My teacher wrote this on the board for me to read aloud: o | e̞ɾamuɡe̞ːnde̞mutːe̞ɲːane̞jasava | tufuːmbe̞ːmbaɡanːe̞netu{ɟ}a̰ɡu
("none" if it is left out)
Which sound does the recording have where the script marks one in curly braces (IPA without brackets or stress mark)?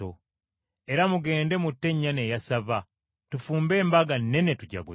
ɟ